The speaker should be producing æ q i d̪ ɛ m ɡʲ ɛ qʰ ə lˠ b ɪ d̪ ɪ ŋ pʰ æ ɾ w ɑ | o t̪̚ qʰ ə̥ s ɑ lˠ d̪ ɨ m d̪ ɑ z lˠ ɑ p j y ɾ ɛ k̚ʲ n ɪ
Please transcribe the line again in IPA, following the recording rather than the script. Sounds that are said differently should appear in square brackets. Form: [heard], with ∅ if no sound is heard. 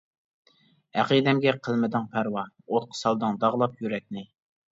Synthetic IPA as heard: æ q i d̪ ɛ m ɡʲ ɛ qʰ ə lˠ [m] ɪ d̪ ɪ ŋ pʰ æ ɾ w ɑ | o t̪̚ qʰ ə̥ s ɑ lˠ d̪ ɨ [ŋ] d̪ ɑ [ʁ] lˠ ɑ p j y ɾ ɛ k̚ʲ n ɪ